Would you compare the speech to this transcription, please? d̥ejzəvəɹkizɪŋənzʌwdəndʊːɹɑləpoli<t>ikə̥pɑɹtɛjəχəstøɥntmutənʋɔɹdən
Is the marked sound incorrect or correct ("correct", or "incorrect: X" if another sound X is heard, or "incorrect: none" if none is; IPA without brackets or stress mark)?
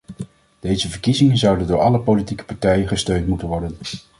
correct